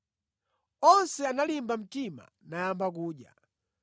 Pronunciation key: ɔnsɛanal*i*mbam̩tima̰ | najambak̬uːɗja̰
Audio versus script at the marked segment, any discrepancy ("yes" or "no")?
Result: no